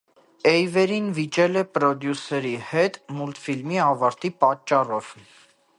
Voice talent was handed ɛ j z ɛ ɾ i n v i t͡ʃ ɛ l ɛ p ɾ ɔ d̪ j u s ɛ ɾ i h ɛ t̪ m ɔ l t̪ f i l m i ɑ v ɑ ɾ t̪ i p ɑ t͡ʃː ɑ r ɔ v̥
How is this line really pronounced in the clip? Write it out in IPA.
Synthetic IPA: ɛ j v ɛ ɾ i n v i t͡ʃ ɛ l ɛ p ɾ ɔ d̪ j u s ɛ ɾ i h ɛ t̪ m u l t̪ f i l m i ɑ v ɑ ɾ t̪ i p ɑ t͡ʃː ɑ r ɔ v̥